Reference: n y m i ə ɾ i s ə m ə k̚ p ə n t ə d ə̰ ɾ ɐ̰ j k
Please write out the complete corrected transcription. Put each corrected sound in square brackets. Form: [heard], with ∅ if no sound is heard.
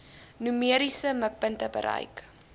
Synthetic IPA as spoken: n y m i ə ɾ i s ə m ə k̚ p ə n t ə [b] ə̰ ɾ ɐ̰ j k